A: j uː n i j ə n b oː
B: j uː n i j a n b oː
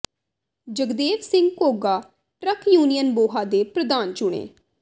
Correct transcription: A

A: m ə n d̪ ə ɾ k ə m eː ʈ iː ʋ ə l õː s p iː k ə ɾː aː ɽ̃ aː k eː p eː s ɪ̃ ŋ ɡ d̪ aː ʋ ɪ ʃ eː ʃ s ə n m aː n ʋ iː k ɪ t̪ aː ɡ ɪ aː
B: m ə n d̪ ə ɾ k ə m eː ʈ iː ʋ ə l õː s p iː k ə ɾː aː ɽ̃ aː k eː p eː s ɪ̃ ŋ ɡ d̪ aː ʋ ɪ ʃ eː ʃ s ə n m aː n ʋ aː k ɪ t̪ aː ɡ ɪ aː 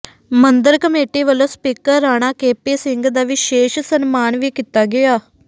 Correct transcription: A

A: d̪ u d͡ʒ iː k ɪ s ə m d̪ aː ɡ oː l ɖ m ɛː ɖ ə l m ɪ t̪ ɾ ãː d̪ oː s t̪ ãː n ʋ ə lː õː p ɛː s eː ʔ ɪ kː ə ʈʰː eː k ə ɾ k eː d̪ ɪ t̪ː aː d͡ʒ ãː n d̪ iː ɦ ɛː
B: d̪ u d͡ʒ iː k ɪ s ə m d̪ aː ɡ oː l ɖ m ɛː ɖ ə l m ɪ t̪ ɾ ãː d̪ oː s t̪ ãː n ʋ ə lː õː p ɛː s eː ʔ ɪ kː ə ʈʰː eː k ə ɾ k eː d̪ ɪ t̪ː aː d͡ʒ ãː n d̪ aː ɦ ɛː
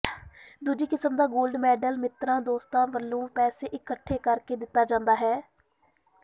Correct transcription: B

